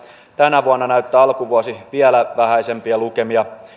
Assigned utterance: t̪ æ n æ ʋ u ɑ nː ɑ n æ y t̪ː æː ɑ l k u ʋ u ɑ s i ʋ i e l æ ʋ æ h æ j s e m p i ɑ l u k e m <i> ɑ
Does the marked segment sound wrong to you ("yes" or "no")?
no